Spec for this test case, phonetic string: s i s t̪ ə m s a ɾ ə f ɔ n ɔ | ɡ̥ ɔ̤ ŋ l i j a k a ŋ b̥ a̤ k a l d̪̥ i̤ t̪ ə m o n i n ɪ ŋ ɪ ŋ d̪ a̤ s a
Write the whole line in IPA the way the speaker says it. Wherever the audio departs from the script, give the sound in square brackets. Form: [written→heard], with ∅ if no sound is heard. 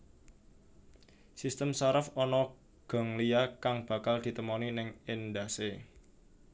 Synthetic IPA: s i s t̪ ə m s a ɾ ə f ɔ n ɔ | ɡ̥ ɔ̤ ŋ l i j a k a ŋ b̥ a̤ k a l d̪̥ i̤ t̪ ə m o n i n ɪ ŋ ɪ [ŋ→n] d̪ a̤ s [a→e]